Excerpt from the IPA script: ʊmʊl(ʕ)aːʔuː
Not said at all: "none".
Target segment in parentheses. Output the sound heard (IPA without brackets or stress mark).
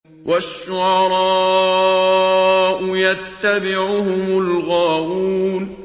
ɣ